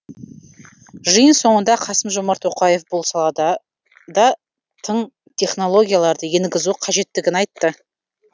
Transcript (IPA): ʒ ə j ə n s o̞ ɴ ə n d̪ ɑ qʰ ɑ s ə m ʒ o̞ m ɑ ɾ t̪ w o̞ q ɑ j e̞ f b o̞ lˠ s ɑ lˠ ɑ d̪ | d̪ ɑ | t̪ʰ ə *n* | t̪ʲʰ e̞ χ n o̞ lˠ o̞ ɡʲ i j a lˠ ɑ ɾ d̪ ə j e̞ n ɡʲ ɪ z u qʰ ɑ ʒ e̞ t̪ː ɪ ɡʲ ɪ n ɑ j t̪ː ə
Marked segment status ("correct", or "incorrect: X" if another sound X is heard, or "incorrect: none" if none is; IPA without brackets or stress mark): incorrect: ɴ